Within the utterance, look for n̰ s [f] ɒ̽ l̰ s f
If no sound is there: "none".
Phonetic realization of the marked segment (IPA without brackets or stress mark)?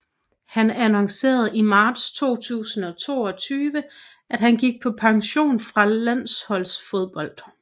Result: h